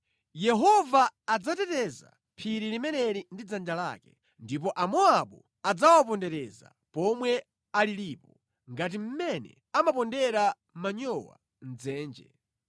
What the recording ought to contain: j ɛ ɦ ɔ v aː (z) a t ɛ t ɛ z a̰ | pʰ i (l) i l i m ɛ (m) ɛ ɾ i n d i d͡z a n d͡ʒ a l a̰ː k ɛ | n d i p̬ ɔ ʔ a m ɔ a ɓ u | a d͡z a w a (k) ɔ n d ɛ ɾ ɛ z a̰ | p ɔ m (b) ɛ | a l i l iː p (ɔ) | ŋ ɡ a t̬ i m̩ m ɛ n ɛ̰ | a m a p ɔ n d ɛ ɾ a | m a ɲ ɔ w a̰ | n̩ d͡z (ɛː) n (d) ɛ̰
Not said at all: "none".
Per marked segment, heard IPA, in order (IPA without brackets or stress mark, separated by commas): d͡z, ɾ, n, p, w, ɔ, ɛː, d͡ʒ